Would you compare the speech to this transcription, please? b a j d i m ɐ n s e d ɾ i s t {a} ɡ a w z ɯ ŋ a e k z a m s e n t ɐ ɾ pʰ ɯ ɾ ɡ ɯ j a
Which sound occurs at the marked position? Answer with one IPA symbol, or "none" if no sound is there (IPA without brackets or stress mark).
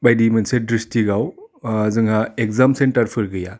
i